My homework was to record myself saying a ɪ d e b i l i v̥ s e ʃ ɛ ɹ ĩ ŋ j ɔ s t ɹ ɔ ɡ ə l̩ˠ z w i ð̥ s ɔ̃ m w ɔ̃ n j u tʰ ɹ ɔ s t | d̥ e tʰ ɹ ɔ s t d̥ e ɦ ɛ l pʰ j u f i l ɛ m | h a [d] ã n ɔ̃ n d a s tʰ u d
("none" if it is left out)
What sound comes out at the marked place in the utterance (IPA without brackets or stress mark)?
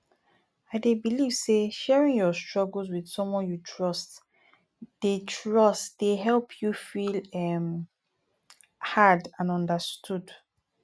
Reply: d